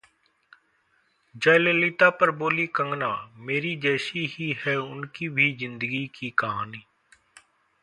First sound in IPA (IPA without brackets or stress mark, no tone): d͡ʒ